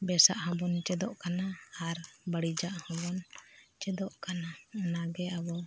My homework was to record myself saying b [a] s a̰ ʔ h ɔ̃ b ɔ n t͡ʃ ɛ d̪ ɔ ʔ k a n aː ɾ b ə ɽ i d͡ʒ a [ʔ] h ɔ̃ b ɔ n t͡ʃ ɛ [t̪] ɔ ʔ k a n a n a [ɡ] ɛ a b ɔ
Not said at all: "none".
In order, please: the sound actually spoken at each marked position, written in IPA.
ɛ, ʔ, d̪, ɡ

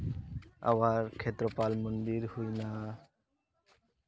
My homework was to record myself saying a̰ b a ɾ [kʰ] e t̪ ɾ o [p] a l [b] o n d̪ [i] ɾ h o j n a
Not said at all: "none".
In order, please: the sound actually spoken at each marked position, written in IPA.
kʰ, p, m, i

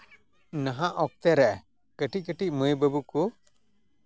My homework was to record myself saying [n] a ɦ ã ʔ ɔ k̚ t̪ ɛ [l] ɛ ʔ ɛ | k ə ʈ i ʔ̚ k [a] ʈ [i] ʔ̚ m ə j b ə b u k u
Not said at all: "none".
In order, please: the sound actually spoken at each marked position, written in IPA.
n, ɾ, ə, i

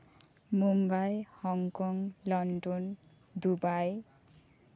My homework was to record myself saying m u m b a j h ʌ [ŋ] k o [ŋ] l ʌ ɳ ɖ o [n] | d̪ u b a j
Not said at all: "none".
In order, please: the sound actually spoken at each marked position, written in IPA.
ŋ, ŋ, n

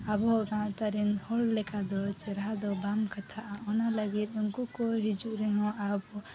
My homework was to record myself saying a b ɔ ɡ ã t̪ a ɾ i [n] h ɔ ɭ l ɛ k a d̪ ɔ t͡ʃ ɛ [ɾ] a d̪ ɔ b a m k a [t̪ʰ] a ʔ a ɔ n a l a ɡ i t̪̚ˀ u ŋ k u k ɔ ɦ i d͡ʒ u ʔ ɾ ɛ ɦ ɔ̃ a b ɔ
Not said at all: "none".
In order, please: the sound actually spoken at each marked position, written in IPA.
n, ɾ, t̪ʰ

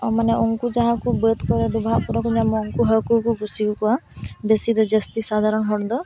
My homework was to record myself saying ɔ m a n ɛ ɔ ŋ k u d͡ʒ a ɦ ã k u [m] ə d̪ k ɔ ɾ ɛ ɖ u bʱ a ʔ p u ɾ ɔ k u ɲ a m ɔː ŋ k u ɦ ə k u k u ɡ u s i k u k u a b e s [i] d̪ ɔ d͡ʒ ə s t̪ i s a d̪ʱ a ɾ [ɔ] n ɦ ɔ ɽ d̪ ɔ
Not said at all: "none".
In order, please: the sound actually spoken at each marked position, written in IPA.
b, i, ɔ

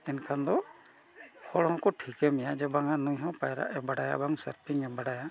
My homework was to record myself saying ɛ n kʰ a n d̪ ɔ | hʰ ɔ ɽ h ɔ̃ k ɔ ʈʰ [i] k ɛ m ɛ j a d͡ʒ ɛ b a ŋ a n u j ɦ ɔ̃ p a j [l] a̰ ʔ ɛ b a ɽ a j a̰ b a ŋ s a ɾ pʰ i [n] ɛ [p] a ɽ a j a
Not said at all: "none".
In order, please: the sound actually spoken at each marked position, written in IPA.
i, ɾ, ŋ, b

